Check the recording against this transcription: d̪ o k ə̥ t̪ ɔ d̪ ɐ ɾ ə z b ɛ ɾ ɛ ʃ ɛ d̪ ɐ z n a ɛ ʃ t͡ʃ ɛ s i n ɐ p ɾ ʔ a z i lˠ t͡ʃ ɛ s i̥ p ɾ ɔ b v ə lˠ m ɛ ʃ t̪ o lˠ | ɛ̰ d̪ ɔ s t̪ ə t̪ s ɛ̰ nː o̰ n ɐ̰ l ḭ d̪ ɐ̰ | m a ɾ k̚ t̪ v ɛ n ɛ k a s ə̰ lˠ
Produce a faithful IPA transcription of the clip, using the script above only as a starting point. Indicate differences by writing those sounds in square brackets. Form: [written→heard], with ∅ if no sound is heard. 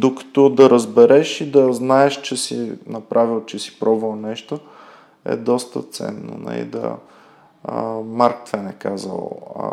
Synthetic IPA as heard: d̪ o k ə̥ t̪ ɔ d̪ ɐ ɾ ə z b ɛ ɾ ɛ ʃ [ɛ→i] d̪ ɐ z n a ɛ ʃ t͡ʃ ɛ s i n ɐ p ɾ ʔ a [z→v] i lˠ t͡ʃ ɛ s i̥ p ɾ ɔ b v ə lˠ [m→n] ɛ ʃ t̪ o [lˠ→∅] | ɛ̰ d̪ ɔ s t̪ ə t̪ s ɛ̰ nː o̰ n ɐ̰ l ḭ d̪ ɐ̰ | m a ɾ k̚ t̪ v ɛ n ɛ k a [s→z] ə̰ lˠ